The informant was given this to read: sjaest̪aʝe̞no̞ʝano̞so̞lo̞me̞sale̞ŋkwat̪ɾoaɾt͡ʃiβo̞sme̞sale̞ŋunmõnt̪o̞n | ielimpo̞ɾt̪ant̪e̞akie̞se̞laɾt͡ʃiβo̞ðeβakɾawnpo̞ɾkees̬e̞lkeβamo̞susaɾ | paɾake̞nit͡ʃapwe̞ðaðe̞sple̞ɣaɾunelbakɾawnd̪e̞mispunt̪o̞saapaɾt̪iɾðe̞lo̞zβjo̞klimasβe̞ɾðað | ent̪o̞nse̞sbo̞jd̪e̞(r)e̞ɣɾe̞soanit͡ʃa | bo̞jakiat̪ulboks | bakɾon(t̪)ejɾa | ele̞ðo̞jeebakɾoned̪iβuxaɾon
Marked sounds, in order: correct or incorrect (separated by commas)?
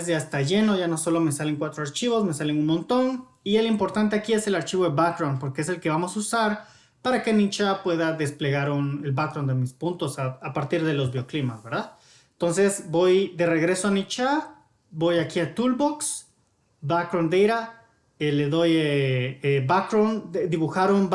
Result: correct, incorrect